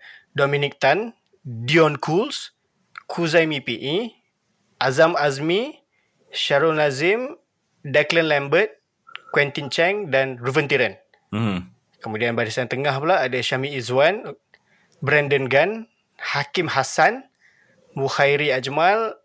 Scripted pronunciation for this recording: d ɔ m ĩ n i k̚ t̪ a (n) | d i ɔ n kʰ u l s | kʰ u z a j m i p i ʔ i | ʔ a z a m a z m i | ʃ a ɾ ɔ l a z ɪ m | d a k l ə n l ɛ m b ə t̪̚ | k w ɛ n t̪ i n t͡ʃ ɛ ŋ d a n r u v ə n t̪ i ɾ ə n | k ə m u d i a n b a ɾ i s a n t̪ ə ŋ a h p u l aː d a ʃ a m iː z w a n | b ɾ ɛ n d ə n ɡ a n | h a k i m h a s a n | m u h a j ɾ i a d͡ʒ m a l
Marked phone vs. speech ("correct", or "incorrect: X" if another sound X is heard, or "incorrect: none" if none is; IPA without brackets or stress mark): correct